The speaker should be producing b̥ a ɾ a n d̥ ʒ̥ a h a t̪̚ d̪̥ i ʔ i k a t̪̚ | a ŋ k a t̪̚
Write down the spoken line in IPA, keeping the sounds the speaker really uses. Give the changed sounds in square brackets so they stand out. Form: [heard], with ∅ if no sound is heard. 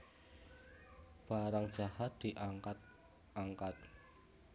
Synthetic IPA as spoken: b̥ a ɾ a [ŋ] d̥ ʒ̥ a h a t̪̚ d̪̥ i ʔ [a] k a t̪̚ | a ŋ k a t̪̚